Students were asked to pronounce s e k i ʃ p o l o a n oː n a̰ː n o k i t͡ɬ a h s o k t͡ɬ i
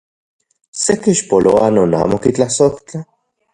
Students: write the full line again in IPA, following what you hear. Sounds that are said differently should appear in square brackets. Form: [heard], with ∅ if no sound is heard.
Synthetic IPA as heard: s e k i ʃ p o l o a n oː n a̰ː [m] o k i t͡ɬ a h s o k t͡ɬ [a]